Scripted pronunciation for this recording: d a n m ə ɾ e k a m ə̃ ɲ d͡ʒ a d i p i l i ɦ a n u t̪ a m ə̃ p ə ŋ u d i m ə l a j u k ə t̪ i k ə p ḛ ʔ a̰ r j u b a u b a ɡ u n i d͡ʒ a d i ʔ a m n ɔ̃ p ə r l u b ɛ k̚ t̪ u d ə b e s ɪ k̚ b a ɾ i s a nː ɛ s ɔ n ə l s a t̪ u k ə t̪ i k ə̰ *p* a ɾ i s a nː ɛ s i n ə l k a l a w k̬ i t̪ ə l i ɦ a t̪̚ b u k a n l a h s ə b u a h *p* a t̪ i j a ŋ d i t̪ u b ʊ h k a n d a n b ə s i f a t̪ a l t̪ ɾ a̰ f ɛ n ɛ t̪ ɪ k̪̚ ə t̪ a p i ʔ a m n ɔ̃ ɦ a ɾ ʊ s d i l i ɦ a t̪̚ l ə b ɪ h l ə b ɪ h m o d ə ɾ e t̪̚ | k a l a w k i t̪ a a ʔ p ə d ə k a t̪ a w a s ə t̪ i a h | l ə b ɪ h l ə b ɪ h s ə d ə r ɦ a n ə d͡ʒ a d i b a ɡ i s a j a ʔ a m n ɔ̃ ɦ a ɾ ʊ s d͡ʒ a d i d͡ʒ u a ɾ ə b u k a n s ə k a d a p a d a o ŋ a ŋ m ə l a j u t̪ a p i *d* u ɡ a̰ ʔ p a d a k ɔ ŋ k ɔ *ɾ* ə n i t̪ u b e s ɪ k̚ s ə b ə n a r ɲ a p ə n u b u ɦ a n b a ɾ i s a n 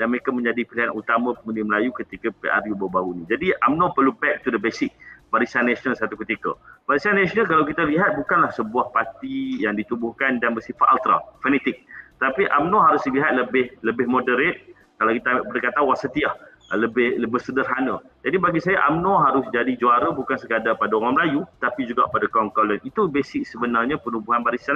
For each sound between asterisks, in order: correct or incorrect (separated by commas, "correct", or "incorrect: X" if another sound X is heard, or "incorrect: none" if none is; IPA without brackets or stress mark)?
incorrect: b, correct, incorrect: d͡ʒ, incorrect: l